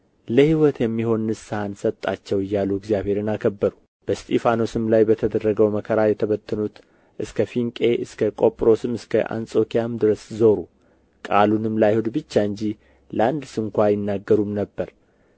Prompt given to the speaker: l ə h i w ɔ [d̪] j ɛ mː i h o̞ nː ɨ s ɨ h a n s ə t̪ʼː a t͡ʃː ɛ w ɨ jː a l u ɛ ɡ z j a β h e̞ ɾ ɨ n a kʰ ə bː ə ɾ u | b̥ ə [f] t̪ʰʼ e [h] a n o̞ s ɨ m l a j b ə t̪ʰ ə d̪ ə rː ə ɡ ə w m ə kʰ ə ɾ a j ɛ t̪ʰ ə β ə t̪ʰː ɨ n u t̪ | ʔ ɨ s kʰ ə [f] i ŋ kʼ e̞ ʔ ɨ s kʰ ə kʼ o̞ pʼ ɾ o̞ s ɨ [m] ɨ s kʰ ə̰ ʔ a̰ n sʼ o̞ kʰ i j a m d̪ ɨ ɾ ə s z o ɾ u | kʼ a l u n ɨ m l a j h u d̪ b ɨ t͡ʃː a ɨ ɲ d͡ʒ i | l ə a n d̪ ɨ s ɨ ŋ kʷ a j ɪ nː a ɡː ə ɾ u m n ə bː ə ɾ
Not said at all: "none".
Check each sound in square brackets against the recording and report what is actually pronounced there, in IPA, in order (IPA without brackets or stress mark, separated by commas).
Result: t̪, s, f, f, m